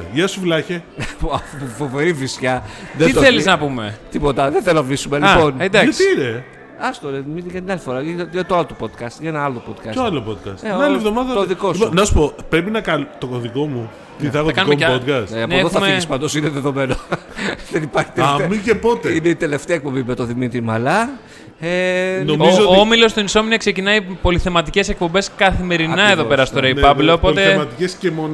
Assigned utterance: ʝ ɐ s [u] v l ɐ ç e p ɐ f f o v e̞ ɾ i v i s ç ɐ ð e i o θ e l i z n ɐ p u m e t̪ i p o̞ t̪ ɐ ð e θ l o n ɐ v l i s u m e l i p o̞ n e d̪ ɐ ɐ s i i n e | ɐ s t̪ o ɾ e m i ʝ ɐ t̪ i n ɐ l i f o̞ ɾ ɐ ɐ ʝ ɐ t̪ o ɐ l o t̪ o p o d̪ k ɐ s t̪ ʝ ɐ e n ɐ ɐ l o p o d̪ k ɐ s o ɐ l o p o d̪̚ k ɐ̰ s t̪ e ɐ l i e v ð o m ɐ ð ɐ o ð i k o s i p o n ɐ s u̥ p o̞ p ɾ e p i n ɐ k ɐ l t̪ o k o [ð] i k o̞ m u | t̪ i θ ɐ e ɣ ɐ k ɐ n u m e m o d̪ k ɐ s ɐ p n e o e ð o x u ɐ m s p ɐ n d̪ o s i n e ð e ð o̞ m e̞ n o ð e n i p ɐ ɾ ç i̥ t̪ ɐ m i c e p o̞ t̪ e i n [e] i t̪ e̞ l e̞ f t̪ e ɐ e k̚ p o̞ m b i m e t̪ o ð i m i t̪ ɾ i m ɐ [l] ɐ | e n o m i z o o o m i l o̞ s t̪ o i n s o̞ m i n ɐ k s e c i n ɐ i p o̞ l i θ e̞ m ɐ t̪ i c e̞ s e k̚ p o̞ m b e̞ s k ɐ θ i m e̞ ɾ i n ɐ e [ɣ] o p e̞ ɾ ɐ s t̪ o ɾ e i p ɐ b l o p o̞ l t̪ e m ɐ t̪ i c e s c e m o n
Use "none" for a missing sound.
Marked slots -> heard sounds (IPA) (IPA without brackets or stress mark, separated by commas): u, ð, e, l, ð